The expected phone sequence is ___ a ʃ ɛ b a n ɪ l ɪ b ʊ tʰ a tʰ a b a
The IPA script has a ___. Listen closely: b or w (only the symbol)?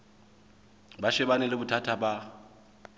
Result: b